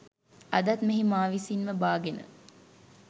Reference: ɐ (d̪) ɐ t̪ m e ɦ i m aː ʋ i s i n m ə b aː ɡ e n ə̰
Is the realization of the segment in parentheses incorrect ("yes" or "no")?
no